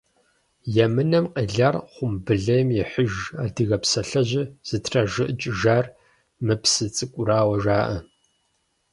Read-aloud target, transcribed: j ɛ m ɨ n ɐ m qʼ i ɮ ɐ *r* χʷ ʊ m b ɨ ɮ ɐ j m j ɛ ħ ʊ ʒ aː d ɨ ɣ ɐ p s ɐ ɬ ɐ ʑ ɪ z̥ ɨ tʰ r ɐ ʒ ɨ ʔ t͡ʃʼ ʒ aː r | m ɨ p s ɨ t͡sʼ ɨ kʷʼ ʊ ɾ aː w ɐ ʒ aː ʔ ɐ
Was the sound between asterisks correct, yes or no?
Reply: yes